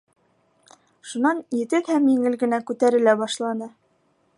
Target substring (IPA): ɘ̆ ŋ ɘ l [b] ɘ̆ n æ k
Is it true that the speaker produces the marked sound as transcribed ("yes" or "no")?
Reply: no